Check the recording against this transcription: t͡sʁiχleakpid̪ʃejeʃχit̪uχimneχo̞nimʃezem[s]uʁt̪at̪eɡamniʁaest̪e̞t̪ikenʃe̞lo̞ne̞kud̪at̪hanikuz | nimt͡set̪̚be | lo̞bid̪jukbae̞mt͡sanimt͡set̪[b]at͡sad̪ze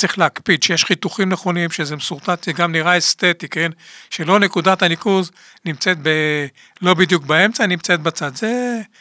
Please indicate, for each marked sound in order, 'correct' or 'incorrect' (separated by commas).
correct, correct